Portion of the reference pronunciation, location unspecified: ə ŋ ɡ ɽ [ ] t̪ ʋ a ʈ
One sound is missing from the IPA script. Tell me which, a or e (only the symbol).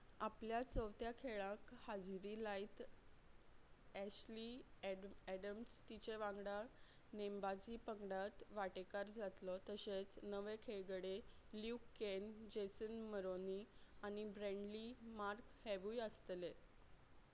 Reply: a